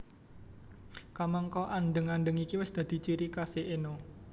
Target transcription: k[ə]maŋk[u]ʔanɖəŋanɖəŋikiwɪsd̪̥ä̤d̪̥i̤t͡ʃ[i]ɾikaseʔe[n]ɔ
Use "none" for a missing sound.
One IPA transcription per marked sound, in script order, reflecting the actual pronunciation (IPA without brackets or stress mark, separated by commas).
a, ɔ, i, n